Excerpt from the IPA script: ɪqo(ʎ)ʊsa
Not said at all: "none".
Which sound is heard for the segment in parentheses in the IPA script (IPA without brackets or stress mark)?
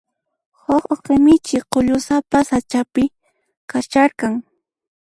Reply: ʎ